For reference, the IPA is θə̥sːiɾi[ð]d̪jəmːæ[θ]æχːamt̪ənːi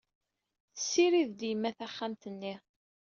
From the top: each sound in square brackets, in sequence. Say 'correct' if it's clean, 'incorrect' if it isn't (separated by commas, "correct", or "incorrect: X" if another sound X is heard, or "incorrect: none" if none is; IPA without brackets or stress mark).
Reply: correct, correct